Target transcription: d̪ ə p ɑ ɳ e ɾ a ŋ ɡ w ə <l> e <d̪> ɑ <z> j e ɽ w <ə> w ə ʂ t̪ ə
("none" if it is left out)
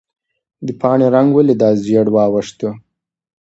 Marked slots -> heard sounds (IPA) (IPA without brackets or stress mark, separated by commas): l, d̪, z, ɑ